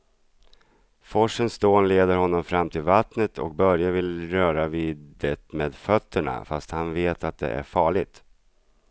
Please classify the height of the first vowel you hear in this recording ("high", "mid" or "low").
mid